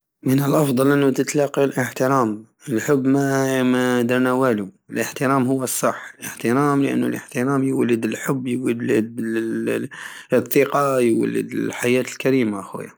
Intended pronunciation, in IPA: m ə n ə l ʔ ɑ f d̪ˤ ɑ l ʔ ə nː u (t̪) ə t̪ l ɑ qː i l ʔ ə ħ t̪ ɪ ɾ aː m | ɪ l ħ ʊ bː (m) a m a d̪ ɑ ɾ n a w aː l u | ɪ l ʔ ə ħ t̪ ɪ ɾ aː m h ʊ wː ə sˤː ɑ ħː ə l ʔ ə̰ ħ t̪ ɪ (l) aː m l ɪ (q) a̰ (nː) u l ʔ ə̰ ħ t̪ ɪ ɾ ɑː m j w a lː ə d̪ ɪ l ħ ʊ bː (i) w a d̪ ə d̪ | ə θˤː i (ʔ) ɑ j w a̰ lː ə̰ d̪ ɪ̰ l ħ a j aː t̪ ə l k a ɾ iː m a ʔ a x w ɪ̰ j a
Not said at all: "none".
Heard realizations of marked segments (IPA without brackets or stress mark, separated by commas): t̪, m, ɾ, ʔ, nː, j, q